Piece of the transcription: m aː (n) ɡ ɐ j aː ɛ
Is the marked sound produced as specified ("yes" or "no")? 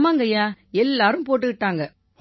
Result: no